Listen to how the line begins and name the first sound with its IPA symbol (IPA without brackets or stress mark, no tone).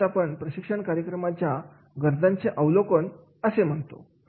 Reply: a